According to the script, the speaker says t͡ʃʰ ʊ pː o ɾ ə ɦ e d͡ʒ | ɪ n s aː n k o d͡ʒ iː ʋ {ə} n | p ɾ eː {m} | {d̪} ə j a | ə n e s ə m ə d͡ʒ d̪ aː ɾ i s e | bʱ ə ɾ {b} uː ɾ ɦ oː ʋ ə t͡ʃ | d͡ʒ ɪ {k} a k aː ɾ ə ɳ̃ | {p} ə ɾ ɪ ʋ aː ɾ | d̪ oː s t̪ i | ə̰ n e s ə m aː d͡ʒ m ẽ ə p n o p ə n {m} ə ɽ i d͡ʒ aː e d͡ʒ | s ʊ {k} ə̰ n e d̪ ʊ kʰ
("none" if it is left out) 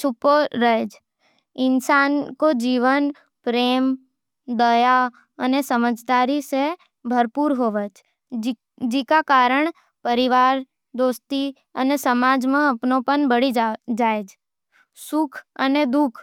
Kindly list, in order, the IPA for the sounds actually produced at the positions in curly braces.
ə, m, d̪, p, k, p, b, kʰ

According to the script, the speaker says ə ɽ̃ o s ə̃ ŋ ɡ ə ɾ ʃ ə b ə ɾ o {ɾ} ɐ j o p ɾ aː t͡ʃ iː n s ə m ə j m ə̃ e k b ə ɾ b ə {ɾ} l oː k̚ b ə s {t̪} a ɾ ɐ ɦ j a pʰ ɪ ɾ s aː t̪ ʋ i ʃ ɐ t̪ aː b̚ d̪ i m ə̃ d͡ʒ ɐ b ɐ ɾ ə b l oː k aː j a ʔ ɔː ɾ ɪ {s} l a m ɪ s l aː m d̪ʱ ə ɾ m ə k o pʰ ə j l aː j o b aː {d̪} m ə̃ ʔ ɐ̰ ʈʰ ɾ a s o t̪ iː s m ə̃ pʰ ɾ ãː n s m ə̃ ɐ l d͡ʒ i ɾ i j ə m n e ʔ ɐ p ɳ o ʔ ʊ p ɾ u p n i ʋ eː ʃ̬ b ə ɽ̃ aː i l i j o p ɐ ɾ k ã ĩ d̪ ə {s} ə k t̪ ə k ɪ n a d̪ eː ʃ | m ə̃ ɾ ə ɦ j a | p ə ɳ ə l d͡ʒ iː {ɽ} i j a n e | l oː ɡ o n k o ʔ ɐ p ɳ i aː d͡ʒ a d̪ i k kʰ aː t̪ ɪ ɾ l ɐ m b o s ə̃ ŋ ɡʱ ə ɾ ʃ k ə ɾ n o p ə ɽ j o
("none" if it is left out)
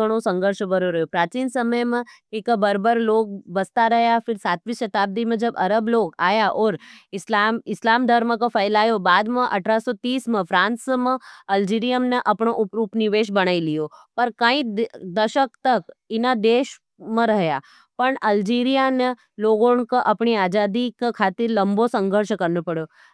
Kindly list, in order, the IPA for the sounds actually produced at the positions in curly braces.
ɾ, ɾ, t̪, s, d̪, ʃ, ɾ

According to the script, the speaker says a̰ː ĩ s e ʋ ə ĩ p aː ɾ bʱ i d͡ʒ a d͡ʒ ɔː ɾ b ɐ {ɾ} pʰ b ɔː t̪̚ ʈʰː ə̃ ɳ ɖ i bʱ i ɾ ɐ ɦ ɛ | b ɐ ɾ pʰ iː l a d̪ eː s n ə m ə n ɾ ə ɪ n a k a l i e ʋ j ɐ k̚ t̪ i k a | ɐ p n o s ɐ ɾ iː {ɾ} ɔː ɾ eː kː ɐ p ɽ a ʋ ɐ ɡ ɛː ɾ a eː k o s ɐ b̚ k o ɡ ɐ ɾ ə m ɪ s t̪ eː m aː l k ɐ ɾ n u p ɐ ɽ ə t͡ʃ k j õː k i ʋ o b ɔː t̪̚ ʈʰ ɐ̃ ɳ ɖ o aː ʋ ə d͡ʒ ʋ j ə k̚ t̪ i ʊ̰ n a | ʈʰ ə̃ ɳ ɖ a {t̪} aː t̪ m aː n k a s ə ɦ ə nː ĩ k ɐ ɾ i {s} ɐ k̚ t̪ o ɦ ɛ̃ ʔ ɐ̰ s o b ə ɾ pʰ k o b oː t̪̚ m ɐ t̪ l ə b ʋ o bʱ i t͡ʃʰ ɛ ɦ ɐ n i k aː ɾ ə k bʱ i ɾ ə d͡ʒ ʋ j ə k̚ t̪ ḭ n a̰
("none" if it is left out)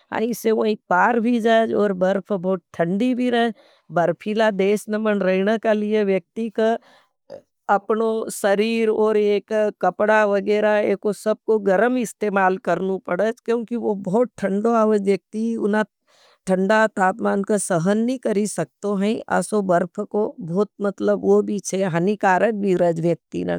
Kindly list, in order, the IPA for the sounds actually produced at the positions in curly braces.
ɾ, ɾ, t̪, s

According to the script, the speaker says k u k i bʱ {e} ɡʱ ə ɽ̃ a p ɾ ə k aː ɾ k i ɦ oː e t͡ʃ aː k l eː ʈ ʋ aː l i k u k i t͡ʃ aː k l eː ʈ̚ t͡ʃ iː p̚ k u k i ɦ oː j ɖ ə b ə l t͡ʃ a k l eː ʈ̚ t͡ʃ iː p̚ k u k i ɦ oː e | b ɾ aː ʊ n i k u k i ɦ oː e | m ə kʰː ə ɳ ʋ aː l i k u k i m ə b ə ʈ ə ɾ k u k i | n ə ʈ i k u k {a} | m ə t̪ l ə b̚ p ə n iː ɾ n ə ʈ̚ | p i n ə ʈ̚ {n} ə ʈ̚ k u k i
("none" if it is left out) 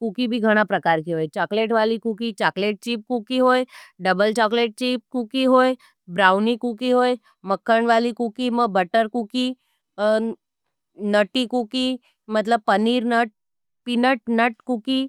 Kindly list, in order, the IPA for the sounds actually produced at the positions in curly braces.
i, i, n

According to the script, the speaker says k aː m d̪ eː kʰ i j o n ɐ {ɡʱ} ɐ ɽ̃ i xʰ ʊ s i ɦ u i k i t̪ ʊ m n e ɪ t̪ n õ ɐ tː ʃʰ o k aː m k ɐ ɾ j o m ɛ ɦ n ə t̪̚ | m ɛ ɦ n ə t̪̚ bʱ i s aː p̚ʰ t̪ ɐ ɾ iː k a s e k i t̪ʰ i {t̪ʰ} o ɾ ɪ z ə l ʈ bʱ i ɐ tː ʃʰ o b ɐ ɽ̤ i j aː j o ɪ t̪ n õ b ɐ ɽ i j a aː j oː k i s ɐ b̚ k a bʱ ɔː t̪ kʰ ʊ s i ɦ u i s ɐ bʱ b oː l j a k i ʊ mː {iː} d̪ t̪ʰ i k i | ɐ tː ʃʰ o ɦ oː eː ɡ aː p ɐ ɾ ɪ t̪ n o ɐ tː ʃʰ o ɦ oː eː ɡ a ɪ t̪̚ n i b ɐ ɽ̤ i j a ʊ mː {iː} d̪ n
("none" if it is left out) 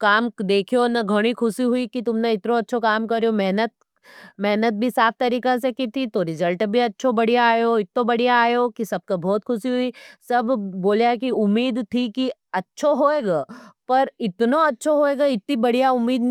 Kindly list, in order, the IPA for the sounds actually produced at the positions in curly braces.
ɡʱ, t̪, iː, iː

